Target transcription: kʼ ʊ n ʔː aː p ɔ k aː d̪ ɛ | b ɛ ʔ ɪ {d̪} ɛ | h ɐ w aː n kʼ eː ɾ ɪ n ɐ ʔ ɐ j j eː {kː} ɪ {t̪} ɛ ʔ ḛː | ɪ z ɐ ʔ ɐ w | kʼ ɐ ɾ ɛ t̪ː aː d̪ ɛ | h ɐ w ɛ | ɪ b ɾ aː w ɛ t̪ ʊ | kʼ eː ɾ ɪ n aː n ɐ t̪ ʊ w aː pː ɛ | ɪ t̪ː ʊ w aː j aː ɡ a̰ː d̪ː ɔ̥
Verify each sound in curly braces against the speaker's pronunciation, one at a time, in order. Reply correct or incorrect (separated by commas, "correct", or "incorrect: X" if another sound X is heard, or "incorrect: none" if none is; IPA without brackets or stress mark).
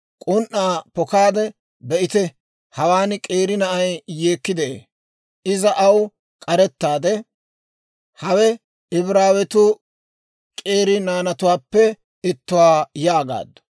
incorrect: t̪, correct, incorrect: d̪